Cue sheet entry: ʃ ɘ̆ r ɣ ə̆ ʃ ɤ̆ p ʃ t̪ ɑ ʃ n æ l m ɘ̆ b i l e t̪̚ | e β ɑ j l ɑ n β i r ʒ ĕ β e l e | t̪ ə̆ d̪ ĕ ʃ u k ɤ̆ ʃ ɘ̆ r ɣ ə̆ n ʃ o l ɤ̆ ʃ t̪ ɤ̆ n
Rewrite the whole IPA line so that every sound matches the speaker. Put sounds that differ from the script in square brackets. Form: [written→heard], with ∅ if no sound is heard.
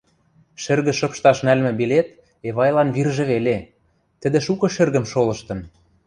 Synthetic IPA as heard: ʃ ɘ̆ r ɣ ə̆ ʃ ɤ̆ p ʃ t̪ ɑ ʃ n æ l m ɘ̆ b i l e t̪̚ | e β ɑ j l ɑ n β i r ʒ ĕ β e l e | t̪ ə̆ d̪ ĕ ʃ u k ɤ̆ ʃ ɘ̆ r ɣ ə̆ [n→m] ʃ o l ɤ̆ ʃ t̪ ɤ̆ n

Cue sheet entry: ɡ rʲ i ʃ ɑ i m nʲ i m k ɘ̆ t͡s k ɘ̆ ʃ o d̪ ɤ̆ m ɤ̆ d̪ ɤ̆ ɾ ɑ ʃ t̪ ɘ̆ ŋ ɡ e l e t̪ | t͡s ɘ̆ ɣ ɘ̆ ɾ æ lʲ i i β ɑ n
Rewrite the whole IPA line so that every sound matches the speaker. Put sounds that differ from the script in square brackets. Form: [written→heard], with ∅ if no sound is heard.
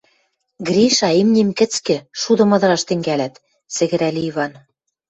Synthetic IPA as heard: ɡ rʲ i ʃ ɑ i m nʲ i m k ɘ̆ t͡s k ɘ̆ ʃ [o→u] d̪ ɤ̆ m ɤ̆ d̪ ɤ̆ ɾ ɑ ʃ t̪ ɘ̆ ŋ ɡ [e→æ] l [e→æ] t̪ | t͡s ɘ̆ ɣ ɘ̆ ɾ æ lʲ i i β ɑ n

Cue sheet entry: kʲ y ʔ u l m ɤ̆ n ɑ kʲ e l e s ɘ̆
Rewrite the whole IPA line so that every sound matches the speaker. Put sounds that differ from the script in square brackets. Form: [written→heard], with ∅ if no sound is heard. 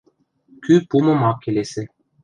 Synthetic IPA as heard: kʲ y [ʔ→p] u [l→∅] m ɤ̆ [n→m] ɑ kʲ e l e s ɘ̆

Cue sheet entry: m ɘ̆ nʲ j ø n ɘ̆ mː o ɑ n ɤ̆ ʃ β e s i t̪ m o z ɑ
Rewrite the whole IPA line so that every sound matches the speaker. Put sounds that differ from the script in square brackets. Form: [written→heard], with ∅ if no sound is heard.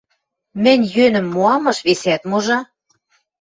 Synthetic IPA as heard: m ɘ̆ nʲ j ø n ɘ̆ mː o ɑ [n→m] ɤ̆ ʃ β e s [i→æ] t̪ m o [z→ʒ] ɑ

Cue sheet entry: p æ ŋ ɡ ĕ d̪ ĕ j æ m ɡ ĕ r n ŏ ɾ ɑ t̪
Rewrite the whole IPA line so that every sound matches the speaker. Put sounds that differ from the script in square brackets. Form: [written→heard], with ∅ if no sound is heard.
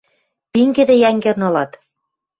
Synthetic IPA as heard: p [æ→i] ŋ ɡ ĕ d̪ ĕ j æ [m→ŋ] ɡ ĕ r n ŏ [ɾ→l] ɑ t̪

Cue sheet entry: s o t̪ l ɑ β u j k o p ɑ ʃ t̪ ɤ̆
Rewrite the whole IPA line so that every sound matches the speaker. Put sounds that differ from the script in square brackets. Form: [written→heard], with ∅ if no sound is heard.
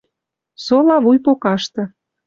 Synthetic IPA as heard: s o [t̪→∅] l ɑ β u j [k→p] o [p→k] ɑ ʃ t̪ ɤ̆

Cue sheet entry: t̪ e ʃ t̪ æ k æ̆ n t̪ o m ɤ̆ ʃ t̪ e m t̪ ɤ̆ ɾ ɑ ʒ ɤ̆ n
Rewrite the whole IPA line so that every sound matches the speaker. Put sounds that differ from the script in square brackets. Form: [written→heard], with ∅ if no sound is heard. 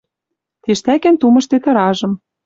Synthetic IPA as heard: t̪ e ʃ t̪ æ k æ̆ n t̪ [o→u] m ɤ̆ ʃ t̪ e [m→∅] t̪ ɤ̆ ɾ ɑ ʒ ɤ̆ [n→m]

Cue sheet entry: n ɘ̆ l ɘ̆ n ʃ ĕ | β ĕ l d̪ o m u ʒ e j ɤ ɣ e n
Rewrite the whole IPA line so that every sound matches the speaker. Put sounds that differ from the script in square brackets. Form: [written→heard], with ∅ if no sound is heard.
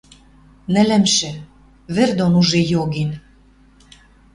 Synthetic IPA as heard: n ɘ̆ l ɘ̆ [n→m] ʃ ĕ | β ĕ [l→r] d̪ o [m→n] u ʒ e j [ɤ→o] ɣ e n

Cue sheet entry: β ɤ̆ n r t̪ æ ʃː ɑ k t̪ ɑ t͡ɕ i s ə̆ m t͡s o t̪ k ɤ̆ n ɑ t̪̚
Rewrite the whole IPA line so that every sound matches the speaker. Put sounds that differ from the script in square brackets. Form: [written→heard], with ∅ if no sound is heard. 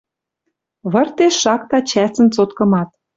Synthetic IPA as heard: β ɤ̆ [n→∅] r t̪ [æ→e] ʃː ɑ k t̪ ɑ t͡ɕ [i→æ] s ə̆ [m→n] t͡s o t̪ k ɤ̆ [n→m] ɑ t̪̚

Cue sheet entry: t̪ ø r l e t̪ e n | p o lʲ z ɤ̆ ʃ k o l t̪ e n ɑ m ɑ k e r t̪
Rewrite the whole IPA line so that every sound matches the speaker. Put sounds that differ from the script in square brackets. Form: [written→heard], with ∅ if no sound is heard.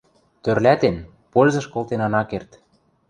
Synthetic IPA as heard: t̪ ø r l [e→æ] t̪ e n | p o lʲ z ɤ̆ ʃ k o l t̪ e n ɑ [m→n] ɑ k e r t̪

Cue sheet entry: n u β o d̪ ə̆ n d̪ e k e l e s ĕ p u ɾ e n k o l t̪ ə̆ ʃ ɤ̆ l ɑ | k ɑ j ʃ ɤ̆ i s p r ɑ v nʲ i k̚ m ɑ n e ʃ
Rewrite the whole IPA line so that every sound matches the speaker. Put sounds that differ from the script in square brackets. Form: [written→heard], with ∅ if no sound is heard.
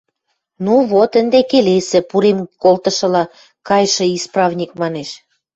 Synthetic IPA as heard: n u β o [d̪→t̪] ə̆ n d̪ e k e l e s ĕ p u ɾ e [n→m] k o l t̪ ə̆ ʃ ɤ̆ l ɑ | k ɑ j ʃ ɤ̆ i s p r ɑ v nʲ i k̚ m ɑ n e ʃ

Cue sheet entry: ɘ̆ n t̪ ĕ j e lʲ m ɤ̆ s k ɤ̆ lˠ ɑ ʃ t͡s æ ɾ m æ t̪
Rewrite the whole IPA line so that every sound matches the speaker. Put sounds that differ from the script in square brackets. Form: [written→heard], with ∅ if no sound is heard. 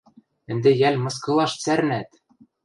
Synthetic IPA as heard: ɘ̆ n [t̪→d̪] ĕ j [e→æ] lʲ m ɤ̆ s k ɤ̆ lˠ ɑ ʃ t͡s æ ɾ [m→n] æ t̪

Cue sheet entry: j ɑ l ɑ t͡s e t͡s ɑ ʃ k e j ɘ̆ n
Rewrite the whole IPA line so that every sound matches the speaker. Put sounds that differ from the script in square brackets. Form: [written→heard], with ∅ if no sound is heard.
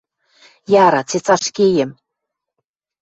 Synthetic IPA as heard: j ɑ [l→ɾ] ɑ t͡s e t͡s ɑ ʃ k e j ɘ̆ [n→m]

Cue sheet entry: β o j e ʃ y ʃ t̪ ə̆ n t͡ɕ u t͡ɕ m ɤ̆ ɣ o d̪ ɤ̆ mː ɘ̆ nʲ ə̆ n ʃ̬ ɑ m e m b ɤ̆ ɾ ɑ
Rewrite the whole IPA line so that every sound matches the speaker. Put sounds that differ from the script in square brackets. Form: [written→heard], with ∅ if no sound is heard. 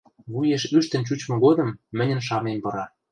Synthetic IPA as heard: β [o→u] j e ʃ y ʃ t̪ ə̆ n t͡ɕ u t͡ɕ m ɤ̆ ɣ o d̪ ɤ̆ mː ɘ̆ nʲ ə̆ n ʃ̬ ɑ m e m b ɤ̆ ɾ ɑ

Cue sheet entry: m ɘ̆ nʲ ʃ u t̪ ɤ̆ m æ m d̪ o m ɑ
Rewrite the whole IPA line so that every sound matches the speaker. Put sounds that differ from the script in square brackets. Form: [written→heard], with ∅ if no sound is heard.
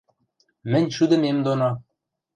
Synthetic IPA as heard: m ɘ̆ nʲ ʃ u [t̪→d̪] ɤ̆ m [æ→e] m d̪ o [m→n] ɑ

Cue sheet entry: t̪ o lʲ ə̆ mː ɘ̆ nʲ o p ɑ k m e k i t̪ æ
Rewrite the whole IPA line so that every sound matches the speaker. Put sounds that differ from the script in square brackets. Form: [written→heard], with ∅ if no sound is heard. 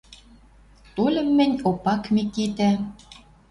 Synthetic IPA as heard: t̪ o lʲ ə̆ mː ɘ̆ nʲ o p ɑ k m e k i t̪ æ

